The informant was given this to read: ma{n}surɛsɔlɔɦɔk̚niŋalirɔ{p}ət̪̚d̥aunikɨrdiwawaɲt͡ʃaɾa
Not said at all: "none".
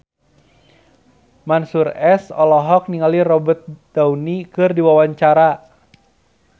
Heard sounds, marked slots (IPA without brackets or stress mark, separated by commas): n, b